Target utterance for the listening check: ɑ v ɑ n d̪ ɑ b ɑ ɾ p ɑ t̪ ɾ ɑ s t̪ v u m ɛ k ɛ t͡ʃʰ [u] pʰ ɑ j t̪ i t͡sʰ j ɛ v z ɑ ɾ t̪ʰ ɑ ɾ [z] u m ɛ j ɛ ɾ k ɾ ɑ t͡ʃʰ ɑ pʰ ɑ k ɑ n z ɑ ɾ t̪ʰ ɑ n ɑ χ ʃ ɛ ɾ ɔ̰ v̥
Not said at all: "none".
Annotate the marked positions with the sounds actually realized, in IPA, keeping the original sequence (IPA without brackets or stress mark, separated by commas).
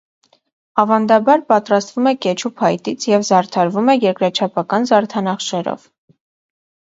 u, v